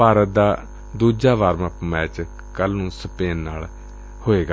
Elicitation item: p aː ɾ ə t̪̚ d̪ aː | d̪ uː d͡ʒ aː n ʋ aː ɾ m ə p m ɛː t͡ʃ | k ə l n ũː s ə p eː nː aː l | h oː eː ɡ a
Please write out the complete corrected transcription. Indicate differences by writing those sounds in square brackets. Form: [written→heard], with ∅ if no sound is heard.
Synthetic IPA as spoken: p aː ɾ ə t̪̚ d̪ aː | d̪ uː d͡ʒ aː [n→∅] ʋ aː ɾ m ə p m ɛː t͡ʃ | k ə l n ũː s ə p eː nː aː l | h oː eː ɡ a

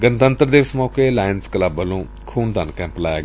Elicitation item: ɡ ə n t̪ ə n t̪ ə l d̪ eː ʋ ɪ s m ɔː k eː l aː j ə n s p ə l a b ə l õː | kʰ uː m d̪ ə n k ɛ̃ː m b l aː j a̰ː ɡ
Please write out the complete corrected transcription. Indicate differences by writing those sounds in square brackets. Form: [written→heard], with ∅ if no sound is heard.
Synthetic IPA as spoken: ɡ ə n t̪ ə n t̪ ə [l→ɾ] d̪ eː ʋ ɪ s m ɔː k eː l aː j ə n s [p→k] ə l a b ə l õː | kʰ uː [m→n] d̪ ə n k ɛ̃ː m [b→p] l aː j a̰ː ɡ

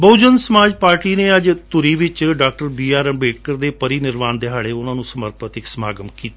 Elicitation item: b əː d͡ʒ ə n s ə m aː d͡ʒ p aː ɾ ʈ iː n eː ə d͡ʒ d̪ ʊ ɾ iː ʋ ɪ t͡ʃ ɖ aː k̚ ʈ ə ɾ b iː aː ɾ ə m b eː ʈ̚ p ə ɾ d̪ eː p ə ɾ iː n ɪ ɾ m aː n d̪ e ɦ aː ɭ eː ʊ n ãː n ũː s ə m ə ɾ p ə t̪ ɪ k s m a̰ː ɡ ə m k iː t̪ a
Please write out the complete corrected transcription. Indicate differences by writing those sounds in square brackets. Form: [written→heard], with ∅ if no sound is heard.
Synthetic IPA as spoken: b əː d͡ʒ ə n s ə m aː d͡ʒ p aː ɾ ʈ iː n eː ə d͡ʒ [d̪→t̪] ʊ ɾ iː ʋ ɪ t͡ʃ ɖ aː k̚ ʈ ə ɾ b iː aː ɾ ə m b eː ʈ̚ [p→k] ə ɾ d̪ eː p ə ɾ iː n ɪ ɾ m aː n d̪ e ɦ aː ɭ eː ʊ n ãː n ũː s ə m ə ɾ p ə t̪ ɪ k s m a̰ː ɡ ə m k iː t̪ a

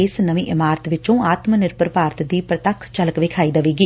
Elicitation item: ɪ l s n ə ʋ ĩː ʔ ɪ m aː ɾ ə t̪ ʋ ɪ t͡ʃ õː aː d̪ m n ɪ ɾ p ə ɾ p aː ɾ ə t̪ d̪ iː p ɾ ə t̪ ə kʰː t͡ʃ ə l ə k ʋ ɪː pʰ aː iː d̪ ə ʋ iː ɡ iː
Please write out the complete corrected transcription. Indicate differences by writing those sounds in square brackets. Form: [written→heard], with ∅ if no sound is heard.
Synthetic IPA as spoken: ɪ [l→∅] s n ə ʋ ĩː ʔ ɪ m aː ɾ ə t̪ ʋ ɪ t͡ʃ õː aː [d̪→t̪] m n ɪ ɾ p ə ɾ p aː ɾ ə t̪ d̪ iː p ɾ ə t̪ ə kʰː t͡ʃ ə l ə k ʋ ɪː [pʰ→kʰ] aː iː d̪ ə ʋ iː ɡ iː

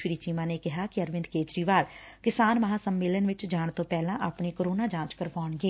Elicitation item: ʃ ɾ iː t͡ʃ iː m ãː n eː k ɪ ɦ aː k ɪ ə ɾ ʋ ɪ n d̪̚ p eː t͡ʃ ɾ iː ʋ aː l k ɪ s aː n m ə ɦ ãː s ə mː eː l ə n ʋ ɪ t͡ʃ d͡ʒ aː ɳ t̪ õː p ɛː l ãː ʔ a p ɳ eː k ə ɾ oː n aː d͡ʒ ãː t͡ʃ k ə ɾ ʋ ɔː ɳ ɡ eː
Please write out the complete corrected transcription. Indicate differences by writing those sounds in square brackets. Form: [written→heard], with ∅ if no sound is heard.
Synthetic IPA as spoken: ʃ ɾ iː t͡ʃ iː m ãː n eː k ɪ ɦ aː k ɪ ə ɾ ʋ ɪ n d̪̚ [p→k] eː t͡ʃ ɾ iː ʋ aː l k ɪ s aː n m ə ɦ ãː s ə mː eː l ə n ʋ ɪ t͡ʃ d͡ʒ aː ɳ t̪ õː p ɛː l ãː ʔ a p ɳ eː k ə ɾ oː n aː d͡ʒ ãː t͡ʃ k ə ɾ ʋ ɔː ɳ ɡ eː

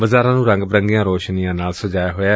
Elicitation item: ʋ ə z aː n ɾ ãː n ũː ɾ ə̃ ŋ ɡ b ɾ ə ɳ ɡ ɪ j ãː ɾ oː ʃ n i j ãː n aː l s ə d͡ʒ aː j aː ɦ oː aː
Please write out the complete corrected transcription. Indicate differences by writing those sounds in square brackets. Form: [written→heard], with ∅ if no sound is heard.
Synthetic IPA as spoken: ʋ ə z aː [n→∅] ɾ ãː n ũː ɾ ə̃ ŋ ɡ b ɾ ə [ɳ→ŋ] ɡ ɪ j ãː ɾ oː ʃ n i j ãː n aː l s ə d͡ʒ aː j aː ɦ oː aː

